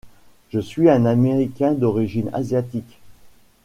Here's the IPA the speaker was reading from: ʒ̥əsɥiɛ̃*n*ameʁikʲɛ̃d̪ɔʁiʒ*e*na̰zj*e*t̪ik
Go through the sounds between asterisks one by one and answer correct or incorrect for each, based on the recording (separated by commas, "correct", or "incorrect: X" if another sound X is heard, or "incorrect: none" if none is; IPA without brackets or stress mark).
correct, incorrect: i, incorrect: a